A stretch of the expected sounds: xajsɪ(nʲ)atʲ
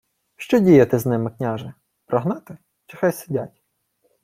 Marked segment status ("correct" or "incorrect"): incorrect